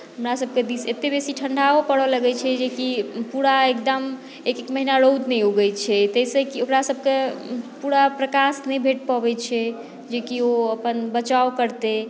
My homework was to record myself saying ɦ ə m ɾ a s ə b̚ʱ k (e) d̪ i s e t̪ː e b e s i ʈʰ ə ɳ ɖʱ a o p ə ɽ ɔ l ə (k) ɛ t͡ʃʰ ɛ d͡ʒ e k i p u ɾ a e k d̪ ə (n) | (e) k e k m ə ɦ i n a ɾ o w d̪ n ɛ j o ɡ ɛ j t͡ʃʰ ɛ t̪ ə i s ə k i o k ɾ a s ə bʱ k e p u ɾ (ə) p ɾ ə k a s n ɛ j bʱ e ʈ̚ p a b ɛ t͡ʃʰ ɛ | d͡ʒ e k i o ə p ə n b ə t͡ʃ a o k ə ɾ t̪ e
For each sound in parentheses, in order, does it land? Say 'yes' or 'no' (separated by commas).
yes, no, no, yes, no